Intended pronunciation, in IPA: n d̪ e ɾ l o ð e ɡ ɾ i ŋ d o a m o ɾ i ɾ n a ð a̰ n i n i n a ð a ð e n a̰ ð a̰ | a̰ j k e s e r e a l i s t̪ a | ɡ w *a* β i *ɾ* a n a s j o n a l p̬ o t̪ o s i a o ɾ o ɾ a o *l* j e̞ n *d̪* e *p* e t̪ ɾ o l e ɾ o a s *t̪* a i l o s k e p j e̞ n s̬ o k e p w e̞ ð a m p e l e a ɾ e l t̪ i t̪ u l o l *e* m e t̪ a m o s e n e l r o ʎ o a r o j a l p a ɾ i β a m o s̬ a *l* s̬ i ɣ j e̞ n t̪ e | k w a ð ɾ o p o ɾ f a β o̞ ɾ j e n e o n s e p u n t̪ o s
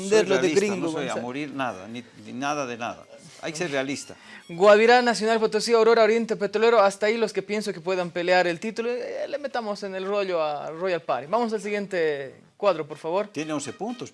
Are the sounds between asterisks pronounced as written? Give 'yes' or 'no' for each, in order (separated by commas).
yes, yes, no, no, yes, yes, yes, yes